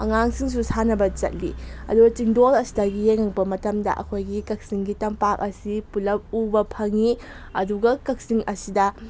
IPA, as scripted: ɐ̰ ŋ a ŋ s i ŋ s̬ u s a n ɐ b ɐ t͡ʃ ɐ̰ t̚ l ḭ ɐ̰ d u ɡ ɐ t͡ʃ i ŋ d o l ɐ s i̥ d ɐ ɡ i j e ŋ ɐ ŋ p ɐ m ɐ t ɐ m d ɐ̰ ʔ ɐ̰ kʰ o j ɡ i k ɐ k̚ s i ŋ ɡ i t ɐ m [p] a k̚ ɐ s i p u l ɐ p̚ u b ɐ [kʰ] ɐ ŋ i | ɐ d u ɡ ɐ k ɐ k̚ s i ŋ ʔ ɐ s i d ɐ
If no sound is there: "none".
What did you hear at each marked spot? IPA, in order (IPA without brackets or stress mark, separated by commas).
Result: p, pʰ